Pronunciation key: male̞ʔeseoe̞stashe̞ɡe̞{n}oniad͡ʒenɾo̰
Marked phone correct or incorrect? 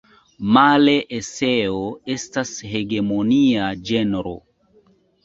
incorrect